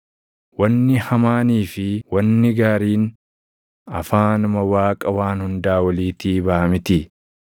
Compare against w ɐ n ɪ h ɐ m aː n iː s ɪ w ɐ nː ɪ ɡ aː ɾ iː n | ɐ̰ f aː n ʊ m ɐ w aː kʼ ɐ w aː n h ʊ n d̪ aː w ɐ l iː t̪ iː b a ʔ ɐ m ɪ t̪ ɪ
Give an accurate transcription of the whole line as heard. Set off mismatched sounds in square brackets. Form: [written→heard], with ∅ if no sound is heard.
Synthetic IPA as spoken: w ɐ [n→nː] ɪ h ɐ m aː n iː [s→f] ɪ w ɐ nː ɪ ɡ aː ɾ iː n | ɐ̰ f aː n ʊ m ɐ w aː kʼ ɐ w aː n h ʊ n d̪ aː w ɐ l iː t̪ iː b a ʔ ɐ m ɪ t̪ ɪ

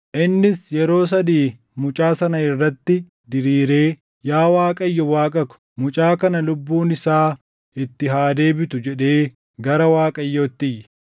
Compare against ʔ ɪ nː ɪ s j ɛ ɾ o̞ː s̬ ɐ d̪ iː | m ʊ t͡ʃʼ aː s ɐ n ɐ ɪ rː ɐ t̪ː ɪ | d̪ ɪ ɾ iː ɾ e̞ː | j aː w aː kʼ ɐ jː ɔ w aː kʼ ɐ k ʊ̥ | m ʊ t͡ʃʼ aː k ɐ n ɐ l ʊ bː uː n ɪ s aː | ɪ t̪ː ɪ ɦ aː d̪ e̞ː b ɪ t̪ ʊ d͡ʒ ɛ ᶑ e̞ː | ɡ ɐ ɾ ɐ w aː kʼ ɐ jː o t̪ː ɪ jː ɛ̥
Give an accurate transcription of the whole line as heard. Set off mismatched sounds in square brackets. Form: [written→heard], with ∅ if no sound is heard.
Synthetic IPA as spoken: ʔ ɪ nː ɪ s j ɛ ɾ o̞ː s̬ ɐ d̪ iː | m ʊ t͡ʃʼ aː s ɐ n ɐ ɪ rː ɐ t̪ː ɪ | d̪ ɪ ɾ iː ɾ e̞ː | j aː w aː kʼ ɐ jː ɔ w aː kʼ ɐ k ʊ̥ | m ʊ t͡ʃʼ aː k ɐ n ɐ l ʊ bː uː n ɪ s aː | ɪ t̪ː ɪ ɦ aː d̪ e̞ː b ɪ t̪ ʊ d͡ʒ ɛ ᶑ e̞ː | ɡ ɐ ɾ ɐ w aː kʼ ɐ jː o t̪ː ɪ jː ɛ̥

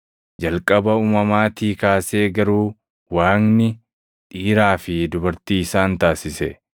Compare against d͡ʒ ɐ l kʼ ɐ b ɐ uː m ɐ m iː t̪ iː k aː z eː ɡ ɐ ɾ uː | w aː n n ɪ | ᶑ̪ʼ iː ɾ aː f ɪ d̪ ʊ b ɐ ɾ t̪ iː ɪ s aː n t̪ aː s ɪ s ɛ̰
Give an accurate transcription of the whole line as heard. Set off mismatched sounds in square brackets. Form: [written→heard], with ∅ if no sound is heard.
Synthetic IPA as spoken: d͡ʒ ɐ l kʼ ɐ b ɐ uː m ɐ m [iː→aː] t̪ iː k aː [z→s] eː ɡ ɐ ɾ uː | w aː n n ɪ | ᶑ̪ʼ iː ɾ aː f ɪ d̪ ʊ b ɐ ɾ t̪ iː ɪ s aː n t̪ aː s ɪ s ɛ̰

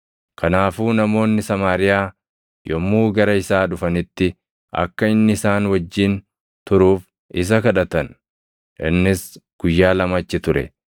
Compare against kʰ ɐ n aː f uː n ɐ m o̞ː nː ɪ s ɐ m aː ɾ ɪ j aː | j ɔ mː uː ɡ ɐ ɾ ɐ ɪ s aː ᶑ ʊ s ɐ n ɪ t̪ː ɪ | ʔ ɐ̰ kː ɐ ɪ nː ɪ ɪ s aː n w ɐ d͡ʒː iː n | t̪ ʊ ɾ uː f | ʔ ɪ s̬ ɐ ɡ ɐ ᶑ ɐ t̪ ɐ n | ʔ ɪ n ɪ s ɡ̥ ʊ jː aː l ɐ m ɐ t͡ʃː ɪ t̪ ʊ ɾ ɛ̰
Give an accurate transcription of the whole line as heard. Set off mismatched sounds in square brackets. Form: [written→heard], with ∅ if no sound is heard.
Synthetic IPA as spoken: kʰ ɐ n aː f uː n ɐ m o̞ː nː ɪ s ɐ m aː ɾ ɪ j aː | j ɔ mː uː ɡ ɐ ɾ ɐ ɪ s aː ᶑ ʊ [s→f] ɐ n ɪ t̪ː ɪ | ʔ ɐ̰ kː ɐ ɪ nː ɪ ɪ s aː n w ɐ d͡ʒː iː n | t̪ ʊ ɾ uː f | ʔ ɪ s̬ ɐ [ɡ→k] ɐ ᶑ ɐ t̪ ɐ n | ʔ ɪ [n→nː] ɪ s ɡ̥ ʊ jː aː l ɐ m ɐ t͡ʃː ɪ t̪ ʊ ɾ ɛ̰

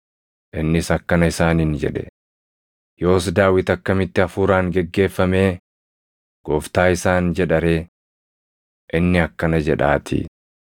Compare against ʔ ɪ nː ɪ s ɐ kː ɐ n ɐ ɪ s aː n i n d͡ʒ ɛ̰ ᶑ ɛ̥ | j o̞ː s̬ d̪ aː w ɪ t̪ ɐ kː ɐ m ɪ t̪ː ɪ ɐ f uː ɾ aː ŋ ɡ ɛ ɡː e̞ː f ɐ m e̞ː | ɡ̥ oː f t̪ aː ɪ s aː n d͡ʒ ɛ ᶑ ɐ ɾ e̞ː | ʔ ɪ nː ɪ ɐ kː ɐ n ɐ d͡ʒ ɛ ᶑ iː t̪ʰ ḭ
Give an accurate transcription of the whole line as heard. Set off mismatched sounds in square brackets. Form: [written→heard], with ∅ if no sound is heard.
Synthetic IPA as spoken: ʔ ɪ nː ɪ s ɐ kː ɐ n ɐ ɪ s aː n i n d͡ʒ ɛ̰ ᶑ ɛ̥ | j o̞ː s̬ d̪ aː w ɪ t̪ ɐ kː ɐ m ɪ t̪ː ɪ ɐ f uː ɾ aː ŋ ɡ ɛ ɡː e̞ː [f→fː] ɐ m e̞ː | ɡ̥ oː f t̪ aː ɪ s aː n d͡ʒ ɛ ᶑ ɐ ɾ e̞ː | ʔ ɪ nː ɪ ɐ kː ɐ n ɐ d͡ʒ ɛ ᶑ [iː→aː] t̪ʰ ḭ

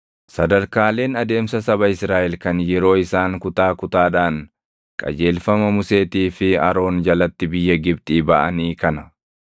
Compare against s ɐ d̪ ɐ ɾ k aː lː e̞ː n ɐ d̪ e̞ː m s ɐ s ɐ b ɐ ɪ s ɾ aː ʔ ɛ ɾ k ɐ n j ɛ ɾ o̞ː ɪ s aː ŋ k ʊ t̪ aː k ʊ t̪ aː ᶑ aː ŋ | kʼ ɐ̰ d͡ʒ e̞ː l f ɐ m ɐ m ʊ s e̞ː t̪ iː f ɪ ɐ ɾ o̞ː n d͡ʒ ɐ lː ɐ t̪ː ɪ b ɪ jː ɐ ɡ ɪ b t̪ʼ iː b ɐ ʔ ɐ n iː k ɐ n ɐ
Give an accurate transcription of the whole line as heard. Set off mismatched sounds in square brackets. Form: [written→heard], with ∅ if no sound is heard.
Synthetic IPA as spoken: s ɐ d̪ ɐ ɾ k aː [lː→l] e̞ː n ɐ d̪ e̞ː m s ɐ s ɐ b ɐ ɪ s ɾ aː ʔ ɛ [ɾ→l] k ɐ n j ɛ ɾ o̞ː ɪ s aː ŋ k ʊ t̪ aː k ʊ t̪ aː ᶑ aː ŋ | kʼ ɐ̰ d͡ʒ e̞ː l f ɐ m ɐ m ʊ s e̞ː t̪ iː f ɪ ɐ ɾ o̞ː n d͡ʒ ɐ [lː→l] ɐ t̪ː ɪ b ɪ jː ɐ ɡ ɪ b t̪ʼ iː b ɐ ʔ ɐ n iː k ɐ n ɐ

